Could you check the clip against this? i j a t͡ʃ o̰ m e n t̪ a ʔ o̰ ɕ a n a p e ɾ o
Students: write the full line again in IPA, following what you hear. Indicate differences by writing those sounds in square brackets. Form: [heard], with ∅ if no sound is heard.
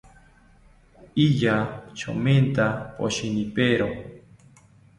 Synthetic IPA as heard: i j a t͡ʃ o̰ m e n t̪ a [p] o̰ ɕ [i] n [i] p e ɾ o